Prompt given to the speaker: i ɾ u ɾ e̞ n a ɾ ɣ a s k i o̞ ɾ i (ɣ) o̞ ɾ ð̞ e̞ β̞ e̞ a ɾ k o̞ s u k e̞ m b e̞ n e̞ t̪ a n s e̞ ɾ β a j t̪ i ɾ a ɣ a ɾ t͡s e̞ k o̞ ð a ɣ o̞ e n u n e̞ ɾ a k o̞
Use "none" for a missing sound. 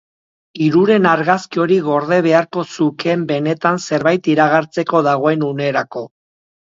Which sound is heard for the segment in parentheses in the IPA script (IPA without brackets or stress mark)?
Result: ɣ